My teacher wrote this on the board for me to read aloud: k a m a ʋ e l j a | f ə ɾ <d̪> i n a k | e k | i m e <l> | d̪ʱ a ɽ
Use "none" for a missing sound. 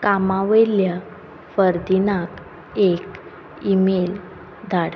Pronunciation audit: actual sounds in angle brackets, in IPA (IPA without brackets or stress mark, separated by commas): d̪, l